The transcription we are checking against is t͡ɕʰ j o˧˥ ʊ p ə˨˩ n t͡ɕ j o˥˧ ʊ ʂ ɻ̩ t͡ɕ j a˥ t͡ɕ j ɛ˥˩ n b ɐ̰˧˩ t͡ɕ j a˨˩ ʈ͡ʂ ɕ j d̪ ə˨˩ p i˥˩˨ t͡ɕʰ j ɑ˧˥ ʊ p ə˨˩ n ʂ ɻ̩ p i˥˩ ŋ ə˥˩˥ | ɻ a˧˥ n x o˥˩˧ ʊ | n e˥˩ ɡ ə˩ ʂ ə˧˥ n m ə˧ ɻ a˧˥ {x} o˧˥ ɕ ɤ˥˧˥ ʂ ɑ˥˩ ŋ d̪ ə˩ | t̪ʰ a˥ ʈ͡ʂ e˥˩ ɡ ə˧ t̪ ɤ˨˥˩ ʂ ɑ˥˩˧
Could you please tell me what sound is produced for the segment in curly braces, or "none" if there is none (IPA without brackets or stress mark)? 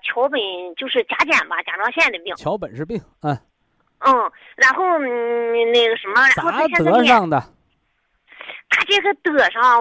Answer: x